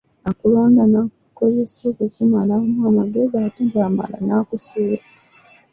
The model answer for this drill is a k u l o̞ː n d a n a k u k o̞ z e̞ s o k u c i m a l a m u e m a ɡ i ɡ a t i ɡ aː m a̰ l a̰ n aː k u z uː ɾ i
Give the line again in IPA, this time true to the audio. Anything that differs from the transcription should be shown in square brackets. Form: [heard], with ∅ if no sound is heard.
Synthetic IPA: a k u l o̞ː n d a n a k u k o̞ z e̞ s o k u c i m a l a m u [a] m a ɡ [e] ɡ a t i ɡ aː m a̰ l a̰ n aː k u [s] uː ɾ [a]